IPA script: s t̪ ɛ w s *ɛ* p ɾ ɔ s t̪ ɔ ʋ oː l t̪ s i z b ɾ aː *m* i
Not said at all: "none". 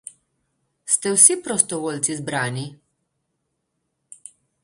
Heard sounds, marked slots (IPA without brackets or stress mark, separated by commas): i, n